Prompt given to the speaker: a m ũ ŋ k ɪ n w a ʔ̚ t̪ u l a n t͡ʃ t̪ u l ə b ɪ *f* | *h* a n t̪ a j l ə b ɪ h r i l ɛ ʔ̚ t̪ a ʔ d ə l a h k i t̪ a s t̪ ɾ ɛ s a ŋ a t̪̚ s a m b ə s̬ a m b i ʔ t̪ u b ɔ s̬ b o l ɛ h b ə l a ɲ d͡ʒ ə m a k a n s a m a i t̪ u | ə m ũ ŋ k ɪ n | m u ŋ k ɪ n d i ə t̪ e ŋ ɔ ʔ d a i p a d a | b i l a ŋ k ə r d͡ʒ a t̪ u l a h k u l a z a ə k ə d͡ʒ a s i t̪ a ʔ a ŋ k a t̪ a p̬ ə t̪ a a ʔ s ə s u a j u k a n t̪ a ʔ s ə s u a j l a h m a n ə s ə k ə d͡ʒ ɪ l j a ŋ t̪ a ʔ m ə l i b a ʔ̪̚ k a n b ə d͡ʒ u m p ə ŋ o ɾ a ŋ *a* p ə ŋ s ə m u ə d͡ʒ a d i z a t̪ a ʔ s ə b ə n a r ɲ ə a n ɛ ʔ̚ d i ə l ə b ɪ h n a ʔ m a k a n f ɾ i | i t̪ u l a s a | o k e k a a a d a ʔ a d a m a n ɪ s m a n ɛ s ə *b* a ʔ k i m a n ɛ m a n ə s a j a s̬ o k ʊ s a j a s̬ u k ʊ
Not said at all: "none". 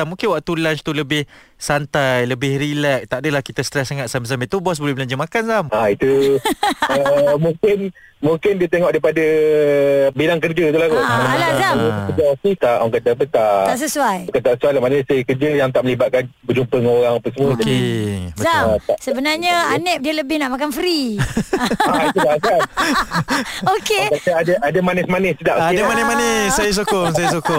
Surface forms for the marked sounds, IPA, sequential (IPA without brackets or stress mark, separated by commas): h, s, a, d